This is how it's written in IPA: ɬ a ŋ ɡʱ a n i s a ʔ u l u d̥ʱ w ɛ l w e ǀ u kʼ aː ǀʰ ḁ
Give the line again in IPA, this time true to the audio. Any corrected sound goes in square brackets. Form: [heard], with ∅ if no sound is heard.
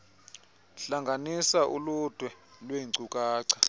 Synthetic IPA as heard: ɬ a ŋ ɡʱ a n i s a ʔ u l u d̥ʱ w ɛ l w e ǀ u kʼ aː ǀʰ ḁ